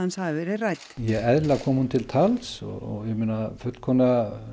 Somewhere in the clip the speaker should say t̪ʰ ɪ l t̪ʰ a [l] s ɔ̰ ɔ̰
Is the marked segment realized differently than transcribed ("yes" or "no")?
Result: no